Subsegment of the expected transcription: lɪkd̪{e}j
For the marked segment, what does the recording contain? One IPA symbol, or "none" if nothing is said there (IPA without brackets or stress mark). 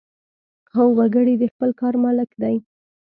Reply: a